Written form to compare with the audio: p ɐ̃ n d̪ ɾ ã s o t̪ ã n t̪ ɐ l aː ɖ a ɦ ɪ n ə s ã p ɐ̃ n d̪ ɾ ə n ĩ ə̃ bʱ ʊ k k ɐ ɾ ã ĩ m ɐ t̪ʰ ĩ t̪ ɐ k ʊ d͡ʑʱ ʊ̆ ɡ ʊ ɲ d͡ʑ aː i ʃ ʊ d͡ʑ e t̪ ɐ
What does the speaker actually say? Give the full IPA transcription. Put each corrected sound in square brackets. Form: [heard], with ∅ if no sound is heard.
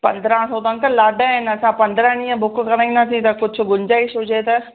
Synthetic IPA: p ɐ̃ n d̪ ɾ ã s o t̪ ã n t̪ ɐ l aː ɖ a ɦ ɪ n [ɐ] s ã p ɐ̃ n d̪ ɾ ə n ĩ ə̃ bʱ ʊ k k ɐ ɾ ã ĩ [n] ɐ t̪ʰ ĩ t̪ ɐ k ʊ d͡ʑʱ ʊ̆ ɡ ʊ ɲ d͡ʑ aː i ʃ ʊ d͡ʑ e t̪ ɐ

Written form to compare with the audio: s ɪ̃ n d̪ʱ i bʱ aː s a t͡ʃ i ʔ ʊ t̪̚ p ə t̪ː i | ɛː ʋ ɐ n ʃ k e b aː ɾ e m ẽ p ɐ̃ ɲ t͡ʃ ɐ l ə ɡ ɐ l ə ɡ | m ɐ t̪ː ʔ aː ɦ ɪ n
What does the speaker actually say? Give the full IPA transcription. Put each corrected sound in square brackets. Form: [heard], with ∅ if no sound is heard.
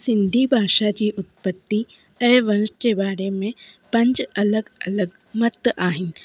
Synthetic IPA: s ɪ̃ n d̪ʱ i bʱ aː [ʃ] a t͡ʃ i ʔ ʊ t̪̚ p ə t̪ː i | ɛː ʋ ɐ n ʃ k e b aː ɾ e m ẽ p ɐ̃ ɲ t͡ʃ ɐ l ə ɡ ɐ l ə ɡ | m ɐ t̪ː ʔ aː ɦ ɪ n

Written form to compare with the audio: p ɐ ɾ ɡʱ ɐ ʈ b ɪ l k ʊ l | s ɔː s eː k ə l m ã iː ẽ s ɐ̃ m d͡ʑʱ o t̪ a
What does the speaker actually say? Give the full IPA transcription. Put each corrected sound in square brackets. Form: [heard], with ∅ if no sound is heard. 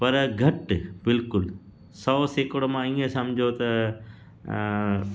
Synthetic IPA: p ɐ ɾ ɡʱ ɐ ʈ b ɪ l k ʊ l | s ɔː s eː k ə [ɽ] m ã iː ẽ s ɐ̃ m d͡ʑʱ o t̪ [ɐ]

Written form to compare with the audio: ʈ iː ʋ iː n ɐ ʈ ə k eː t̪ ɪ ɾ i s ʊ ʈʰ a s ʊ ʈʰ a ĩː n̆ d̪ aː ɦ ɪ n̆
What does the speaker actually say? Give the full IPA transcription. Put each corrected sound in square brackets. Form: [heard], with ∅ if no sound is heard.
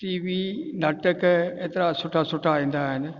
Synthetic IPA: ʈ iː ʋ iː n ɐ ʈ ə k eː t̪ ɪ ɾ [a] s ʊ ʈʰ a s ʊ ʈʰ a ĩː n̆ d̪ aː ɦ ɪ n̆

